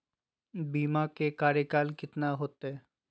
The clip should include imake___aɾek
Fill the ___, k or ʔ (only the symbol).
k